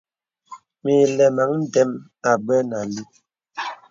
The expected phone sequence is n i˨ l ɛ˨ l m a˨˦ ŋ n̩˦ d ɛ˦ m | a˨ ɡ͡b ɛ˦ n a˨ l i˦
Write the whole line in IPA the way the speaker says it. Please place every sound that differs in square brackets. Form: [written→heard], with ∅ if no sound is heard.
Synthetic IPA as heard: [n→m] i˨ l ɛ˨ [l→∅] m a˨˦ ŋ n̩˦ d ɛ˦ m | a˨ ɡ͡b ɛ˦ n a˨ l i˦